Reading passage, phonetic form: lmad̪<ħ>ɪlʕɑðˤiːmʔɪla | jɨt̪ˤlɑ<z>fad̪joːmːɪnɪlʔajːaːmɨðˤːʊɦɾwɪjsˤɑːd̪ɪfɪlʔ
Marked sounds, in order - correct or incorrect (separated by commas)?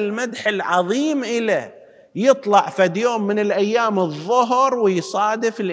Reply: correct, incorrect